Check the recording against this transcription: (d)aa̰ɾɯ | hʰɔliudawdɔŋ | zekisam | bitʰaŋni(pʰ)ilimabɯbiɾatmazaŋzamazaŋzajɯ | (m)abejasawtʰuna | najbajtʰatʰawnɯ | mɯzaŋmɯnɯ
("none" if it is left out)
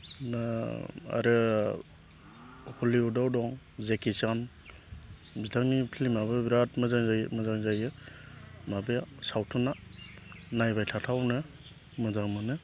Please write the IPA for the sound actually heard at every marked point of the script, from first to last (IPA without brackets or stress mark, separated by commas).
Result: n, pʰ, m